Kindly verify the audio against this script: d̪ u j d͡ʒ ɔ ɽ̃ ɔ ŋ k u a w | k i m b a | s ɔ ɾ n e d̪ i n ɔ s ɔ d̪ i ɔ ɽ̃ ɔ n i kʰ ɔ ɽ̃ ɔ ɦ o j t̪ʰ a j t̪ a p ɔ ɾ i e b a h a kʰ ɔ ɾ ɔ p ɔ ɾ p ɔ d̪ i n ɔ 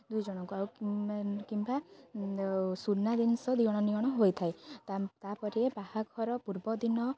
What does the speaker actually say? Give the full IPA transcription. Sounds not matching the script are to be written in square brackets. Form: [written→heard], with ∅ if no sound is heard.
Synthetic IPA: d̪ u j d͡ʒ ɔ ɽ̃ ɔ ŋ k u a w | k i m b a | s [ɔ→u] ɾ n [e→a] d̪ i n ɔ s ɔ d̪ i ɔ ɽ̃ ɔ n i [kʰ→∅] ɔ ɽ̃ ɔ ɦ o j t̪ʰ a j t̪ a p ɔ ɾ i e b a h a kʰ ɔ ɾ ɔ p [ɔ→u] ɾ [p→b] ɔ d̪ i n ɔ